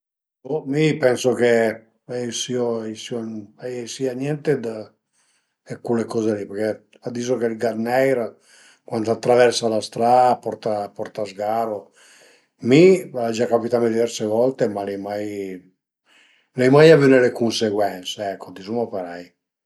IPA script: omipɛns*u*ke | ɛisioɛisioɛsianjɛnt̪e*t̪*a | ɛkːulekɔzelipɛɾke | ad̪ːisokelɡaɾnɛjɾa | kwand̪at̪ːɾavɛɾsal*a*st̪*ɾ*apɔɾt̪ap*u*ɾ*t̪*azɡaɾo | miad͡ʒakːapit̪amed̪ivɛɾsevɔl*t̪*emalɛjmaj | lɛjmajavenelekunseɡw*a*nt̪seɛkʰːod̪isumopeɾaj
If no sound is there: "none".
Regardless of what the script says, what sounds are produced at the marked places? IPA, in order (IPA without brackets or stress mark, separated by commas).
o, d̪, a, ɾ, ɔ, t̪, t̪, ɛ